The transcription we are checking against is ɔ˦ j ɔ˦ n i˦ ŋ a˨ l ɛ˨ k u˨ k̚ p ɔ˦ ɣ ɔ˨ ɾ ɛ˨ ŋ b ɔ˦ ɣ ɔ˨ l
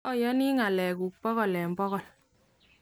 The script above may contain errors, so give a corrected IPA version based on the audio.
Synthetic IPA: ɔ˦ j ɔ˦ n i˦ ŋ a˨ l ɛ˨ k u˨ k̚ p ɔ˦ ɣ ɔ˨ l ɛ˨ m b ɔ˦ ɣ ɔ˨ l